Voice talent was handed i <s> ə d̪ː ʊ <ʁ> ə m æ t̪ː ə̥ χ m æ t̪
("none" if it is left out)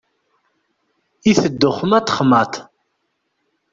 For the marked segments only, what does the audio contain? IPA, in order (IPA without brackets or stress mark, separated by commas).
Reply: θ, χ